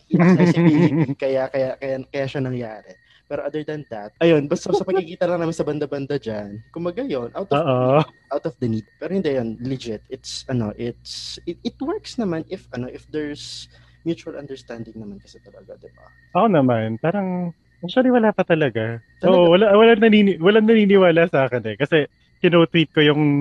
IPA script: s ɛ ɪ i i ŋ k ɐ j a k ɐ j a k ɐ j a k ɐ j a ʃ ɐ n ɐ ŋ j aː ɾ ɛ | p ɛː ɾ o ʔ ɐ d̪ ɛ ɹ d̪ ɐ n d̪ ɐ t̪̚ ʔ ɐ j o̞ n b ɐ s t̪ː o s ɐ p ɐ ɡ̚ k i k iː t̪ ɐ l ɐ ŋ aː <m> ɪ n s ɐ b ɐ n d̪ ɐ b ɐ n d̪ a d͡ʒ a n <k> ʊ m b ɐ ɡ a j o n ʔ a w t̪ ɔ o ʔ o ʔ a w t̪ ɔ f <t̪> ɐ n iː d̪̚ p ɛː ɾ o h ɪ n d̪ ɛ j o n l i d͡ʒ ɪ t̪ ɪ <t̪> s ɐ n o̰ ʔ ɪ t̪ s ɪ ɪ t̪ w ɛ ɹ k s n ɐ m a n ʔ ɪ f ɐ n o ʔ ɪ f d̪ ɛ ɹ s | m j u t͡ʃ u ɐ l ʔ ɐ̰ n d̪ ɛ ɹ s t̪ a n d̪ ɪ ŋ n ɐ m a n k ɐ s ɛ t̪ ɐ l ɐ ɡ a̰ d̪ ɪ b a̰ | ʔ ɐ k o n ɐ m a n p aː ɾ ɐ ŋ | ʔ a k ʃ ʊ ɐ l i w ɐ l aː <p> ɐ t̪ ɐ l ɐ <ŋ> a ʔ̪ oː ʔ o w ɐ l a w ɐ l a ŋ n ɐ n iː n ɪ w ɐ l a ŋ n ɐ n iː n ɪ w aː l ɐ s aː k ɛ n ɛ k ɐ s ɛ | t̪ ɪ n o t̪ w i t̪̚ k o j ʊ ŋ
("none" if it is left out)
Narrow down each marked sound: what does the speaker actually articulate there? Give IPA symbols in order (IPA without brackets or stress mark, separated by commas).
m, k, d̪, t̪, p, ɡ